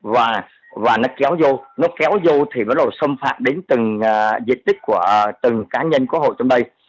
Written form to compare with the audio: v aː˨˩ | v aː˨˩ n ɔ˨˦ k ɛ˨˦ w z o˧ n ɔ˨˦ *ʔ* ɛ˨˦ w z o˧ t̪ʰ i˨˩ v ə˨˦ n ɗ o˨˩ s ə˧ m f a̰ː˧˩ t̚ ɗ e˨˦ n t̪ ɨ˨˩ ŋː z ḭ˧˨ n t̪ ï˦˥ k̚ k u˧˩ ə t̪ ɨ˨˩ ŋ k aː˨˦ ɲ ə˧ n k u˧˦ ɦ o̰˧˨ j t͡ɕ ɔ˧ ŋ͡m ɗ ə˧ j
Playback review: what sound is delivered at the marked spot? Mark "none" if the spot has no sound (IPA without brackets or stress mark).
k